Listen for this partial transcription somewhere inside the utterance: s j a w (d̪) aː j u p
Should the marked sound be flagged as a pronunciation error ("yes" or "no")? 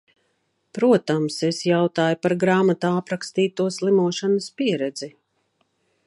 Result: yes